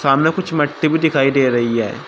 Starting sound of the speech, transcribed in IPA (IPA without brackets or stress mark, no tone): s